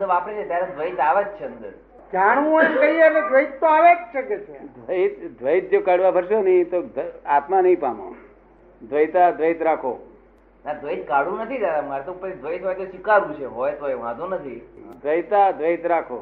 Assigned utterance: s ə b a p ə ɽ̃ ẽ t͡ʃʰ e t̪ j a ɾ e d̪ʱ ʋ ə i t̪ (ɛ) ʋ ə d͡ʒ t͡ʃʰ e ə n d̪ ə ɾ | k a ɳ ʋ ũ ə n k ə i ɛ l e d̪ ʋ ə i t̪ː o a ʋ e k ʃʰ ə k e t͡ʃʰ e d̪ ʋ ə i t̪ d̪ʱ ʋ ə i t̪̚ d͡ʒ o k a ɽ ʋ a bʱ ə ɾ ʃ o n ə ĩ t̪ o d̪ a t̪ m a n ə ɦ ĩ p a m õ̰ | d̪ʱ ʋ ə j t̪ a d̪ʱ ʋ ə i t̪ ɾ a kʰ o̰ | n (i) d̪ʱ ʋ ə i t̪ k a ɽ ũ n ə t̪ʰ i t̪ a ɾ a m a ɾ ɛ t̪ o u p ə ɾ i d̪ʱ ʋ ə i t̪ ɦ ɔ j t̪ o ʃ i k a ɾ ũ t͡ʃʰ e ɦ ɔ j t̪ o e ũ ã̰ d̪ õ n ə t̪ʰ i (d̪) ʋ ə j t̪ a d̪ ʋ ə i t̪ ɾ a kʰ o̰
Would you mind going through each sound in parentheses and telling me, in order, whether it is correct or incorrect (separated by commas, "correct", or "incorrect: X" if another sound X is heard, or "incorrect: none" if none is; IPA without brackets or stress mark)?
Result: incorrect: a, incorrect: a, correct